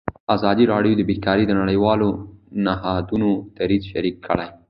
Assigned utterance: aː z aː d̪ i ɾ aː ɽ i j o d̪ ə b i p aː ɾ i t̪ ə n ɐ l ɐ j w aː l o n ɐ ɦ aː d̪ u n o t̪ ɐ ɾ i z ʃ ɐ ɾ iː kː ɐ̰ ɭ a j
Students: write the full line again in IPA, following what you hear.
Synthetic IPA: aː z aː d̪ i ɾ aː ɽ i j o d̪ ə b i k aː ɾ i d̪ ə n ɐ ɽ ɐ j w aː l o n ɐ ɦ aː d̪ u n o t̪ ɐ ɾ i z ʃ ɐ ɾ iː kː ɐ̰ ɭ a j